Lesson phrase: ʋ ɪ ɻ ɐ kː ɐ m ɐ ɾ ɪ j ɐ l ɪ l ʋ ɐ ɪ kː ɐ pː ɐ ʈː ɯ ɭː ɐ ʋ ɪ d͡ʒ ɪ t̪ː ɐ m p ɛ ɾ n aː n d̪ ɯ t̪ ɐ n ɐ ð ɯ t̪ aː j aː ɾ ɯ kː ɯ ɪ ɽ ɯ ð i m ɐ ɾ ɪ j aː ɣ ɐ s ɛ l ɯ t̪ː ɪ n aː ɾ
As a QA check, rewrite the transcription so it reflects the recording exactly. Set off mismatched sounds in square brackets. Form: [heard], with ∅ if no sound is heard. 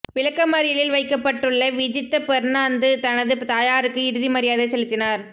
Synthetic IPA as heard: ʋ ɪ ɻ ɐ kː ɐ m ɐ ɾ ɪ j ɐ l ɪ l ʋ ɐ ɪ kː ɐ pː ɐ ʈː ɯ ɭː ɐ ʋ ɪ d͡ʒ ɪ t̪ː ɐ [∅] p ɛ ɾ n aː n d̪ ɯ t̪ ɐ n ɐ ð ɯ t̪ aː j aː ɾ ɯ kː ɯ ɪ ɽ ɯ ð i m ɐ ɾ ɪ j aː [ð] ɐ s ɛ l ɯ t̪ː ɪ n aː ɾ